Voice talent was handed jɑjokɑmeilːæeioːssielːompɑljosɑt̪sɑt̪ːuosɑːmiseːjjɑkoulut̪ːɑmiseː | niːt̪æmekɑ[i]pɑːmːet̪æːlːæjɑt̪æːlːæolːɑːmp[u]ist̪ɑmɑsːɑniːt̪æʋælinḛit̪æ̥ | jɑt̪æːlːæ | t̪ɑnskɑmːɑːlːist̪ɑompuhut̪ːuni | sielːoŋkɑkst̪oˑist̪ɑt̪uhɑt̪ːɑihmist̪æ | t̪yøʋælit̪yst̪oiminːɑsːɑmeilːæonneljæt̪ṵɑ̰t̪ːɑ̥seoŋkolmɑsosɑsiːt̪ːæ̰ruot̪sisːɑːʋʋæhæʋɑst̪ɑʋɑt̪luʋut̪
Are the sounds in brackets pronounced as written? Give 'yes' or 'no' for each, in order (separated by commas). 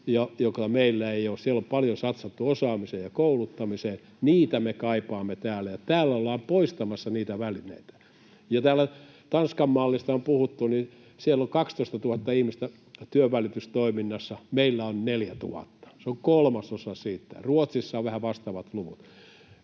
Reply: yes, no